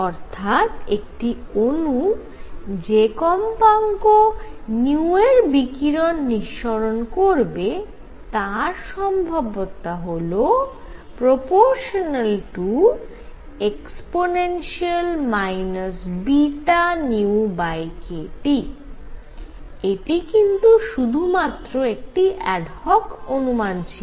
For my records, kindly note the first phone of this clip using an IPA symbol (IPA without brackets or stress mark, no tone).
ɔ